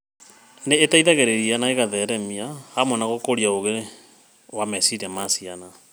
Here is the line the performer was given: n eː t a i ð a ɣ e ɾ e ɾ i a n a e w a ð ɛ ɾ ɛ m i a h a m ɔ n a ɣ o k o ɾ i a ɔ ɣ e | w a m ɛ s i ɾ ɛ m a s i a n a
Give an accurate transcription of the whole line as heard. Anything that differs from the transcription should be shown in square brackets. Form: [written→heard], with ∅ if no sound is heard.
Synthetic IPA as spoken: n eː t a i ð a ɣ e ɾ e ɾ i a n a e [w→ɣ] a ð ɛ ɾ ɛ m i a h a m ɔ n a ɣ o k o ɾ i a [ɔ→o] ɣ e | w a m ɛ s i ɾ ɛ m a s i a n a